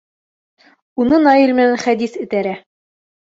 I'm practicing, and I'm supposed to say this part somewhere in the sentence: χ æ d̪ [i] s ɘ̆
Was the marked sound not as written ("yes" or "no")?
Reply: no